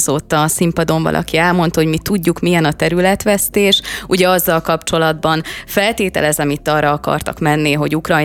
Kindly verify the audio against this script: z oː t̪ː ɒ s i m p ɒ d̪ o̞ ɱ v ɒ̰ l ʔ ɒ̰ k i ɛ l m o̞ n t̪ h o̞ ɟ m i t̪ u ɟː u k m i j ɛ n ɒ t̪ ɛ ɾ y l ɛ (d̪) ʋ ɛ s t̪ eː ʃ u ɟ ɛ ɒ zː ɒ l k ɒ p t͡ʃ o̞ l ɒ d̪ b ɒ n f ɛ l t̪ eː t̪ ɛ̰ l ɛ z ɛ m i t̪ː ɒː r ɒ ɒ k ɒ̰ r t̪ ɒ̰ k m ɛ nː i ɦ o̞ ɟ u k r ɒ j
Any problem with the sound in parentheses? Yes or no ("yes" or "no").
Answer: yes